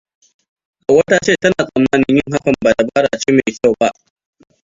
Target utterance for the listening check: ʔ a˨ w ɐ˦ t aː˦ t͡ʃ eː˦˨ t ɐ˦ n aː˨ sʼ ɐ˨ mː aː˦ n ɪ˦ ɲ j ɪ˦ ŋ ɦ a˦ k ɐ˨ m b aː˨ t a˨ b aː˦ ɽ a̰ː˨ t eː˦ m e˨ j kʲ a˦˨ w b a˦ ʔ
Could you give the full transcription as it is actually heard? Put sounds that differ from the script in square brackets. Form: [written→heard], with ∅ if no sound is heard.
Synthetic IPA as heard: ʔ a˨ w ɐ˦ t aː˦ t͡ʃ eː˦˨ t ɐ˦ n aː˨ sʼ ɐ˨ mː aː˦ n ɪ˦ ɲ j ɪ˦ ŋ ɦ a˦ k ɐ˨ m b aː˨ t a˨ b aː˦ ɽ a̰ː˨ [t→t͡ʃ] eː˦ m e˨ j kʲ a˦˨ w b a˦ ʔ